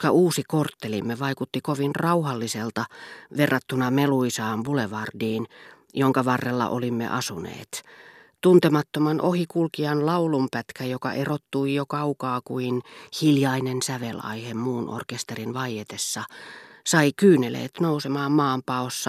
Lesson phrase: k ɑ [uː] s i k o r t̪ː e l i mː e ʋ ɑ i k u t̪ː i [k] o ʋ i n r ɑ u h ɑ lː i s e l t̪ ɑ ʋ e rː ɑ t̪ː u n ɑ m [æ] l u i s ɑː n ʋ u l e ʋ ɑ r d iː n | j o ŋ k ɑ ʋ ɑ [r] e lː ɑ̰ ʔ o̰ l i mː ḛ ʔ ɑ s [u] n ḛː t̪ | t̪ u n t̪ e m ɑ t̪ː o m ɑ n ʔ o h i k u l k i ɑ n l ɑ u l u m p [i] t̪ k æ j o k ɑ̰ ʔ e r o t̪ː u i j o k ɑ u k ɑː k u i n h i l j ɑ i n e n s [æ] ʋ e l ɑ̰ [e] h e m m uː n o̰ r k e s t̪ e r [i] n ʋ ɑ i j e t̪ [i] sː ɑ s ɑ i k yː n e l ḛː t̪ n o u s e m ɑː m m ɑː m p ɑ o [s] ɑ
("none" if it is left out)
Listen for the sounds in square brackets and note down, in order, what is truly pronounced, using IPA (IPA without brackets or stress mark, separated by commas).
uː, k, e, rː, u, æ, æ, i, i, e, sː